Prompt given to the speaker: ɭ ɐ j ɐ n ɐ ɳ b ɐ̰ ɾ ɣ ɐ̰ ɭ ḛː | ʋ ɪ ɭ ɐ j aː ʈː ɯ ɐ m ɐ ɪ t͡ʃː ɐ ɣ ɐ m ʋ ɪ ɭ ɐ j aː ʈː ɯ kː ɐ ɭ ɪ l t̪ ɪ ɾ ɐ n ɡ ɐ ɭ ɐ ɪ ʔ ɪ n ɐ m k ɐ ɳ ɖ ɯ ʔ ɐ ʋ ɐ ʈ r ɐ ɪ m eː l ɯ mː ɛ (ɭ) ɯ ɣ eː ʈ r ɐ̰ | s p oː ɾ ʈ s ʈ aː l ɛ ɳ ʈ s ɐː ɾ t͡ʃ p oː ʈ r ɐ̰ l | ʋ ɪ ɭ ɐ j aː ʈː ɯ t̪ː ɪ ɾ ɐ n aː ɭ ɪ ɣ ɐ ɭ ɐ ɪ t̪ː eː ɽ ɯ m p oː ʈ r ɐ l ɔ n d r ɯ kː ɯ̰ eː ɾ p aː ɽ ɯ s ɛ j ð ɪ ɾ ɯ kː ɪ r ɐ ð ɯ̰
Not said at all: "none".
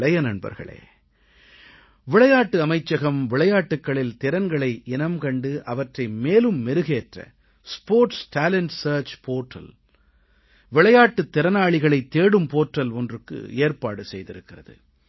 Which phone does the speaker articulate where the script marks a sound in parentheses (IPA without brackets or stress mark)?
ɾ